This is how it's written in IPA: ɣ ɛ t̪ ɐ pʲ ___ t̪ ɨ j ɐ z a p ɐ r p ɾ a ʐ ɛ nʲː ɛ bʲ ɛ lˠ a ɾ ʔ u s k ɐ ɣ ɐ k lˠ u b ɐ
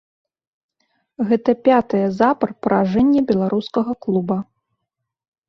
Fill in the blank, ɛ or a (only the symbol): a